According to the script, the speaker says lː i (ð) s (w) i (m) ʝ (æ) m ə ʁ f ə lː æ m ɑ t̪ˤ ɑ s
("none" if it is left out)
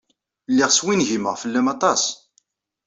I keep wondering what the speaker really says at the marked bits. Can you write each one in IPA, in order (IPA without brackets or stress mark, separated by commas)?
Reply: ʁ, w, n, i